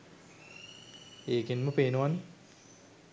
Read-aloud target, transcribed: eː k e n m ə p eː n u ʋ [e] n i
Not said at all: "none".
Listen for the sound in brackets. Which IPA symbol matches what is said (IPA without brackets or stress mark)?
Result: a